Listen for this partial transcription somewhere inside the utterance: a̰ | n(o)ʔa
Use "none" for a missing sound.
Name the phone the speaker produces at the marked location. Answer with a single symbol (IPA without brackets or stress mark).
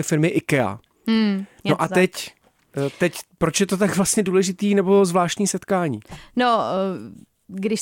o